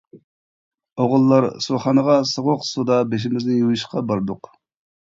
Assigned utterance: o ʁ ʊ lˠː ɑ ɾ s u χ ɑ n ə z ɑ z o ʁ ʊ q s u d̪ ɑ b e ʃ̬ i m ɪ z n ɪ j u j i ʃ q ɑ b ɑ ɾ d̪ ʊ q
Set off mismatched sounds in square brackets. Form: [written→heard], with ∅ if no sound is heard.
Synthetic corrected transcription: o ʁ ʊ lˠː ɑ ɾ s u χ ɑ n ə [z→ʁ] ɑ [z→s] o ʁ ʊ q s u d̪ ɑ b e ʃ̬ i m ɪ z n ɪ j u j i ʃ q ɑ b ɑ ɾ d̪ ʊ q